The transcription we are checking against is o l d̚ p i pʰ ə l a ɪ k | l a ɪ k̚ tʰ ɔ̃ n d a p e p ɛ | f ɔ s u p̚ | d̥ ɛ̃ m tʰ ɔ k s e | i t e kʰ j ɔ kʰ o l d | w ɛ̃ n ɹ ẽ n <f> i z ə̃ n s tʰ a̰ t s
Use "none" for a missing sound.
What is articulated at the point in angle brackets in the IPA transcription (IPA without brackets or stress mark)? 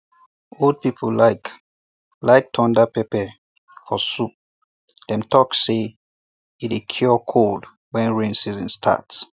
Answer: s